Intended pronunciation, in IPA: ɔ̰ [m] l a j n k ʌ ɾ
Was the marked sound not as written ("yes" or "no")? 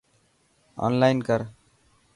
yes